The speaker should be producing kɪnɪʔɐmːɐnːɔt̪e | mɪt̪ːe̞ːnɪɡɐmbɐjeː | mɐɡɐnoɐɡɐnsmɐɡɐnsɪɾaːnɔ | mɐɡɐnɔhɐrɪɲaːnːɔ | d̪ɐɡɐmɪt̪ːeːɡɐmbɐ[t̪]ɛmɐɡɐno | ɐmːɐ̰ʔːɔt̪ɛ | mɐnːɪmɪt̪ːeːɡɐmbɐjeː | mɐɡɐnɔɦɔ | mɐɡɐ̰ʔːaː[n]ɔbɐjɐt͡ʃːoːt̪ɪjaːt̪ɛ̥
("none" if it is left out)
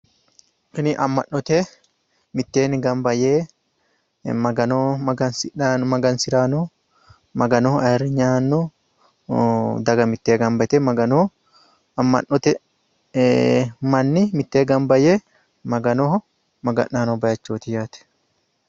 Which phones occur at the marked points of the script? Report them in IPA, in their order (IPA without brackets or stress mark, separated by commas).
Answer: t̪, n